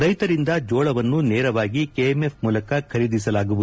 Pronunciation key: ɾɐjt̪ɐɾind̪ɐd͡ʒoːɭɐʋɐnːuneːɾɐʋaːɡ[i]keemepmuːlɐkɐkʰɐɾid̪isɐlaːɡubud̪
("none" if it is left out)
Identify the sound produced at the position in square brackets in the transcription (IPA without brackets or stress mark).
i